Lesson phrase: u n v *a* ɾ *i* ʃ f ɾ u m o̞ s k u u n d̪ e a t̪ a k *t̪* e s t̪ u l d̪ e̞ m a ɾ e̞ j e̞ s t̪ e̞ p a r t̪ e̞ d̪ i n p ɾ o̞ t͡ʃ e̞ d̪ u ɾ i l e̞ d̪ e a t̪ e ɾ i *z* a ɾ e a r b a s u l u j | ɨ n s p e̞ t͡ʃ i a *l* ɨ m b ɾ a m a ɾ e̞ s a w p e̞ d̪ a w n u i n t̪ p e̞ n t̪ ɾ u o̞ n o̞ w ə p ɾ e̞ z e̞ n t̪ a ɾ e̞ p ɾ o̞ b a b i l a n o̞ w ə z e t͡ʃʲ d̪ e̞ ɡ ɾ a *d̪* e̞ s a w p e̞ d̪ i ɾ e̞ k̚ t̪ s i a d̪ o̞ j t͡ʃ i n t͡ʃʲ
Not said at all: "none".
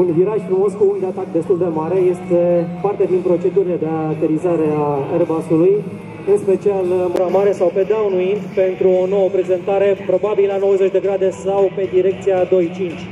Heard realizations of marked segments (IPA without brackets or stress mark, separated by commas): i, a, d̪, z, l, d̪